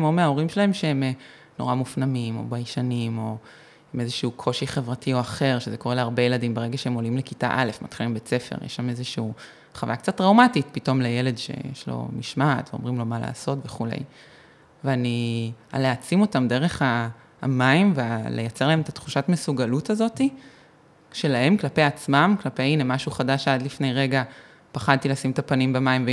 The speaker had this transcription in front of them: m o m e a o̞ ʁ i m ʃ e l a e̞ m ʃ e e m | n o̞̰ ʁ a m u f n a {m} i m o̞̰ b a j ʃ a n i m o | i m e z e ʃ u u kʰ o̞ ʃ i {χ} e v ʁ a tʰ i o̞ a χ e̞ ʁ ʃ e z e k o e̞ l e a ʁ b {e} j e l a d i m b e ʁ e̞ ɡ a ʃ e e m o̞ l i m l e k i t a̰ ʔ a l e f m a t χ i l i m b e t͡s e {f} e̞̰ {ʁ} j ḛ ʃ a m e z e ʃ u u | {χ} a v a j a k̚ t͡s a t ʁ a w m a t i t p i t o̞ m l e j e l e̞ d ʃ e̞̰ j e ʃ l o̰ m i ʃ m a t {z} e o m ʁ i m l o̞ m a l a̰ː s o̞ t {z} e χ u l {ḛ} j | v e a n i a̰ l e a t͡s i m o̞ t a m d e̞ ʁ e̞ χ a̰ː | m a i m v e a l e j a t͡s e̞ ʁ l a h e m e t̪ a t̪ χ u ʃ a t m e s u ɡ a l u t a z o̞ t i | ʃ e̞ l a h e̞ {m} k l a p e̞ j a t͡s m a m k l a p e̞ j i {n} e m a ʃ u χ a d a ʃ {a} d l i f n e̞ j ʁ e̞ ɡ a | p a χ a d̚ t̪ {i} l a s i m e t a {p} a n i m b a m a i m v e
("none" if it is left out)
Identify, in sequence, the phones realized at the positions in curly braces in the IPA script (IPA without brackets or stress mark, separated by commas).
m, χ, e, f, ʁ, χ, v, v, ḛ, m, n, a, i, p